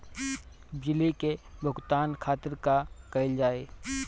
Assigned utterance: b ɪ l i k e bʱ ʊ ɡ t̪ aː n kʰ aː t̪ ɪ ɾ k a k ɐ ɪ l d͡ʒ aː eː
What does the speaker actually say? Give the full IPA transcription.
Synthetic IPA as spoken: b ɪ l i k e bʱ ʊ ɡ t̪ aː n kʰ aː t̪ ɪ ɾ k a k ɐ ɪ l d͡ʒ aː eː